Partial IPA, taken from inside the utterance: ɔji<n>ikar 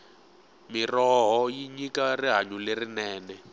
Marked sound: incorrect: ɲ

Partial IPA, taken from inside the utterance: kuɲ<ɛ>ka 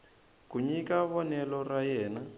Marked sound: incorrect: i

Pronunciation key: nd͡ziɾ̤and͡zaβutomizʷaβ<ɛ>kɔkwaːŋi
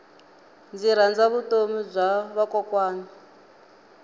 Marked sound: incorrect: a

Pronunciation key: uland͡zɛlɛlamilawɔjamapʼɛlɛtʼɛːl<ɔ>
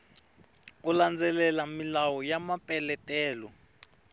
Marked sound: correct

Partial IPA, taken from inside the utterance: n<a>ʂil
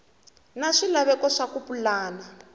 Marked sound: correct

